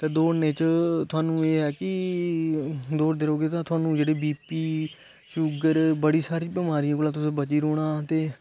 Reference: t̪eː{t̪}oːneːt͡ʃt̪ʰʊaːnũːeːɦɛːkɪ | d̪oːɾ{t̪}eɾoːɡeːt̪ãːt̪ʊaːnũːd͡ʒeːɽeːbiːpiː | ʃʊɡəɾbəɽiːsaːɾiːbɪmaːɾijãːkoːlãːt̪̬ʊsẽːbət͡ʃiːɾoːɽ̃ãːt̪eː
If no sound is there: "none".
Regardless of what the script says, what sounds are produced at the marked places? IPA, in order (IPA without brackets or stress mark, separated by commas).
d̪, d̪